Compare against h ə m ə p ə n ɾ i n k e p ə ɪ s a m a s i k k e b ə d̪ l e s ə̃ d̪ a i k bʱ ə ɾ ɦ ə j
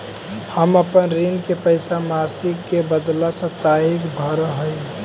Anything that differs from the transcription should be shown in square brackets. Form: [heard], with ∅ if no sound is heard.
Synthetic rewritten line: h ə m ə p ə n ɾ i n k e p ə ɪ s a m a s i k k e b ə d̪ l [a] s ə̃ [t̪] a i k bʱ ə ɾ ɦ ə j